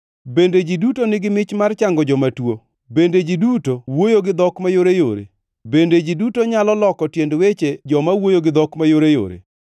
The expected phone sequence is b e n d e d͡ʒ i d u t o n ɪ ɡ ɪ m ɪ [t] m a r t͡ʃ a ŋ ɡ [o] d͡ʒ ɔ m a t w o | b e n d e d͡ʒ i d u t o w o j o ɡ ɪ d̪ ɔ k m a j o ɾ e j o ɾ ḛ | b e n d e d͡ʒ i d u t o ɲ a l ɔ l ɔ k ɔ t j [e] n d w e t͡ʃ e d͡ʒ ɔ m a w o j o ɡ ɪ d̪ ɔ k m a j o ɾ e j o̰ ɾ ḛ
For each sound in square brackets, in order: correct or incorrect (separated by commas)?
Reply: incorrect, incorrect, correct